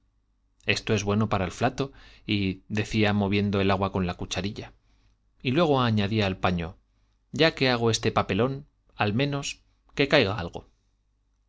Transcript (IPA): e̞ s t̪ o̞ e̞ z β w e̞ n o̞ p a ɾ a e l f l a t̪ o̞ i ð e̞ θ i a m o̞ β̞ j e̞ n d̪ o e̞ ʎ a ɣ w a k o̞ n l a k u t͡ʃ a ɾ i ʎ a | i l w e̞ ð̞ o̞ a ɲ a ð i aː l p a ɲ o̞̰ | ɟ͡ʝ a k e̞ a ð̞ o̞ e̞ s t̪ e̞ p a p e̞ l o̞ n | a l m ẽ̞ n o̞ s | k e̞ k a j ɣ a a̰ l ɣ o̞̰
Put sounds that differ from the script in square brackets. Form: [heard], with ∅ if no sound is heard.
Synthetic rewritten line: e̞ s t̪ o̞ e̞ z β w e̞ n o̞ p a ɾ a e l f l a t̪ o̞ i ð e̞ θ i a m o̞ β̞ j e̞ n d̪ o e̞ [l] a ɣ w a k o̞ n l a k u t͡ʃ a ɾ i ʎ a | i l w e̞ [ɣ̞] o̞ a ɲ a ð i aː l p a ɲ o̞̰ | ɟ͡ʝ a k e̞ a [ɣ̞] o̞ e̞ s t̪ e̞ p a p e̞ l o̞ n | a l m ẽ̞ n o̞ s | k e̞ k a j ɣ a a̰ l ɣ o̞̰